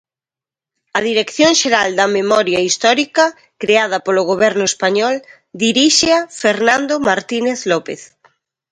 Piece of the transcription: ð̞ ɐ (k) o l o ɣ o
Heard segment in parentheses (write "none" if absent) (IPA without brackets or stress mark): p